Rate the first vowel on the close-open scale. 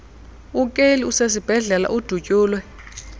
close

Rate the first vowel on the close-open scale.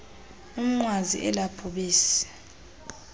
close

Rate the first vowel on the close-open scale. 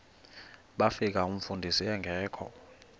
open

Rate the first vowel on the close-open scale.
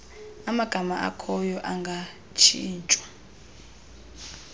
open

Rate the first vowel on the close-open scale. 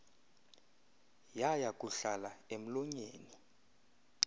open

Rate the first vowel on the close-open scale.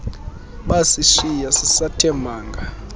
open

